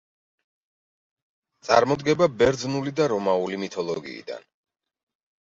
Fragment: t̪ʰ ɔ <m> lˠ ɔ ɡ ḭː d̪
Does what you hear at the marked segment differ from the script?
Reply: yes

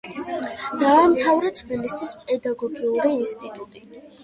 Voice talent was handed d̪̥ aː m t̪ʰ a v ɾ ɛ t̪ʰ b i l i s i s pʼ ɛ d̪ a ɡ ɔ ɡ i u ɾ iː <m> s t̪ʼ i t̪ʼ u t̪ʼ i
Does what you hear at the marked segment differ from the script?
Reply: yes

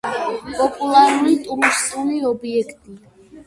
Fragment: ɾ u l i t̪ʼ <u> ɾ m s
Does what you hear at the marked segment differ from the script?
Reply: no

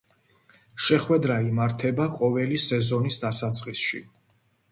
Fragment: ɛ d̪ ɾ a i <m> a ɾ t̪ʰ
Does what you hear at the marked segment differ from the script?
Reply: no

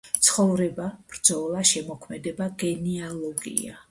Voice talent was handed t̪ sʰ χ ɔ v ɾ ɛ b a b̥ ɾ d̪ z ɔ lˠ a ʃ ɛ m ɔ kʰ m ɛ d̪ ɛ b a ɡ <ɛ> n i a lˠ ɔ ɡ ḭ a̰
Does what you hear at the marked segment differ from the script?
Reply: no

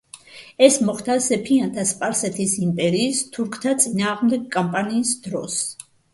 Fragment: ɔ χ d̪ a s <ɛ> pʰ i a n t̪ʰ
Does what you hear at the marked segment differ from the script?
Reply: no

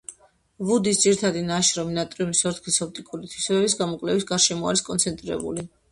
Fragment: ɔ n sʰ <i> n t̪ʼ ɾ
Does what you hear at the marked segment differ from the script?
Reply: yes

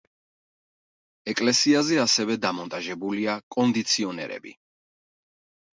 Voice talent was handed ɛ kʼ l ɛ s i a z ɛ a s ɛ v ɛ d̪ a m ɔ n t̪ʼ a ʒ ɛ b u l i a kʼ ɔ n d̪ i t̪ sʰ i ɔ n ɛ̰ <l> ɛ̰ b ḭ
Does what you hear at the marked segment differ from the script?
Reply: yes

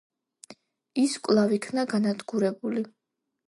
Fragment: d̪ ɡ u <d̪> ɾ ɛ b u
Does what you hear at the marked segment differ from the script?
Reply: yes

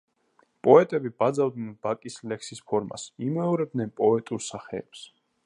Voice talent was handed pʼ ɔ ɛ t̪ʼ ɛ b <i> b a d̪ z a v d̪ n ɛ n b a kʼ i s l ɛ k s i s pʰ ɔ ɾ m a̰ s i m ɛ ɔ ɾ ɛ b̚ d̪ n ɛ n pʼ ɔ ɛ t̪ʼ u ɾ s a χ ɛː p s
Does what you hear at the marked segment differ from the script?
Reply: no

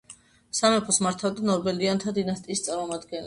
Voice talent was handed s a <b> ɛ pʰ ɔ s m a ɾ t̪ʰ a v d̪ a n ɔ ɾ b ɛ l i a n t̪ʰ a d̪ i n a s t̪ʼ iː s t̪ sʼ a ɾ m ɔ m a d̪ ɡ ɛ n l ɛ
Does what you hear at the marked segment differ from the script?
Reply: yes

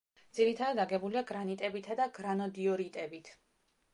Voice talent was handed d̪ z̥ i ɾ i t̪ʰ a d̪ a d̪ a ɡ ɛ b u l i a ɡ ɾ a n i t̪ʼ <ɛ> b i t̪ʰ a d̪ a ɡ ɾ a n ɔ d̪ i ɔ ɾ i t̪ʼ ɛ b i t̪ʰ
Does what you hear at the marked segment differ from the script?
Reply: no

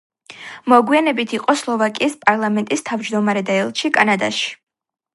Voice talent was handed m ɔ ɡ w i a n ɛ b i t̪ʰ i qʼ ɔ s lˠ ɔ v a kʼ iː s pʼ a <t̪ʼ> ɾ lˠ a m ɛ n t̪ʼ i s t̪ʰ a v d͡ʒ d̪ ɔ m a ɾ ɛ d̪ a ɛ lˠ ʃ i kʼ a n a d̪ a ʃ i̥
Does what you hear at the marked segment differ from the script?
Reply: yes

